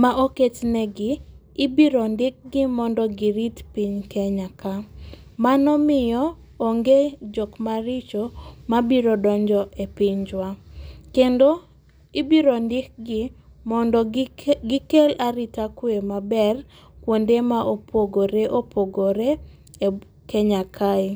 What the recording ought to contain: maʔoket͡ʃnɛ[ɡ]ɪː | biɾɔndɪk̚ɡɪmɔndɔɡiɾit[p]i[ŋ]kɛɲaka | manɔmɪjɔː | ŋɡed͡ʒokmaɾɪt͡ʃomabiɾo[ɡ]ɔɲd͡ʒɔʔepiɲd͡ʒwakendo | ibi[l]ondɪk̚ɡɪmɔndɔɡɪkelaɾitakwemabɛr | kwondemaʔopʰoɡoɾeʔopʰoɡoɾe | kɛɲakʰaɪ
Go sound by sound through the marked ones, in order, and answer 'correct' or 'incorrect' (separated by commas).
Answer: correct, correct, incorrect, incorrect, incorrect